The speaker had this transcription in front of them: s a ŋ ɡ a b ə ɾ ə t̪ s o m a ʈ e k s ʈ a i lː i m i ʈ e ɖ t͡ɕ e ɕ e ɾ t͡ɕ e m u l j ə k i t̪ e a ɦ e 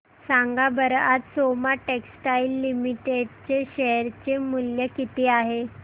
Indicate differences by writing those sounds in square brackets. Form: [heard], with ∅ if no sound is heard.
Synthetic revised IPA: s a ŋ ɡ a b ə ɾ [a] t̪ s o m a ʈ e k s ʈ a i lː i m i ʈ e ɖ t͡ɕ e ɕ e ɾ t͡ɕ e m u l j ə k i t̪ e a ɦ e